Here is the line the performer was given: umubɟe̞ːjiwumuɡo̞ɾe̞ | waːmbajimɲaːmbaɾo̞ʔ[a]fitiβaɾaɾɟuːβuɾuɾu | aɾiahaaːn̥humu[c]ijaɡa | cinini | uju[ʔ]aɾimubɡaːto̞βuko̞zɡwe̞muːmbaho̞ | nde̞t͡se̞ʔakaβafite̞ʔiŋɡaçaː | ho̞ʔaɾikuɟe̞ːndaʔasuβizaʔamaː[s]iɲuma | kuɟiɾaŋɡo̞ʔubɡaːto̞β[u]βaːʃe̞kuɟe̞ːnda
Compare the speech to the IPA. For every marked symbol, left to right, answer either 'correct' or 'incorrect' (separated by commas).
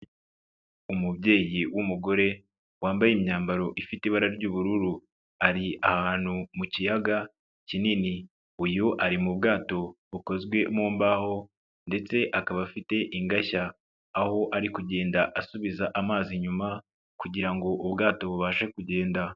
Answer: incorrect, correct, correct, incorrect, correct